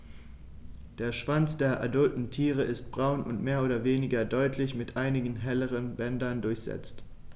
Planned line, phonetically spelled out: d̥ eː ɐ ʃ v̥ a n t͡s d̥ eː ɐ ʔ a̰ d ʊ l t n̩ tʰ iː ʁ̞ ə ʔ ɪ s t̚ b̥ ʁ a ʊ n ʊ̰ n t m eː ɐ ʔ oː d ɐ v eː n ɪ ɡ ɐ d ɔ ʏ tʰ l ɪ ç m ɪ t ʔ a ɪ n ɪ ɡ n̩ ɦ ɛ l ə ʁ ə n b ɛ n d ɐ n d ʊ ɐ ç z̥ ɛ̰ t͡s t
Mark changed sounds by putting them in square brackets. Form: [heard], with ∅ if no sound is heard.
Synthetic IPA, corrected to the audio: d̥ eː ɐ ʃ v̥ a n t͡s d̥ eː ɐ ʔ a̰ d ʊ l t n̩ tʰ iː ʁ̞ ə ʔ ɪ s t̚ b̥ ʁ a ʊ n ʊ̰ n t m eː ɐ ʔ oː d ɐ v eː n ɪ ɡ ɐ d ɔ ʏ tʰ l ɪ ç m ɪ t ʔ a ɪ n ɪ ɡ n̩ ɦ ɛ l ə ʁ ə n b ɛ n d ɐ n d ʊ ɐ ç z̥ ɛ̰ t͡s t